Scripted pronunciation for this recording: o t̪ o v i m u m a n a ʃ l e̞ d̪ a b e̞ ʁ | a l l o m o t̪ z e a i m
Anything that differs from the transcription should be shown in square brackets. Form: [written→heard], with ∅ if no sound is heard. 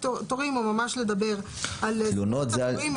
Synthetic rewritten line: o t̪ o [v→ʁ] i m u m a [n→m] a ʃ l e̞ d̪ a b e̞ ʁ | a l l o [m→n] o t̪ z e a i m